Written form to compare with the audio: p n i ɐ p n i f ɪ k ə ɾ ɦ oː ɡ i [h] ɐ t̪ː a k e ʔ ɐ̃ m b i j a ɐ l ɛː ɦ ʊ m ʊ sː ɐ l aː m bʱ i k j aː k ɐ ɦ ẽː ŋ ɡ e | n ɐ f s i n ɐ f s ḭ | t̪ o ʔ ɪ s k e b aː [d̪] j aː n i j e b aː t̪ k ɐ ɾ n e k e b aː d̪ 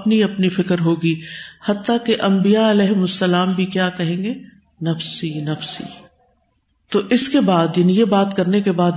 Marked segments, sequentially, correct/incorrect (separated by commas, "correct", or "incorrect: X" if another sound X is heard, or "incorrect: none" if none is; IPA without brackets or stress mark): correct, correct